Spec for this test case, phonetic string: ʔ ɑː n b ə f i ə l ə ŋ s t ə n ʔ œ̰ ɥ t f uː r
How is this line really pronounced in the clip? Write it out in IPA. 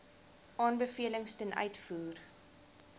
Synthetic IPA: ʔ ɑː n b ə f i ə l ə ŋ s t ə n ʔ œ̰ ɥ t f uː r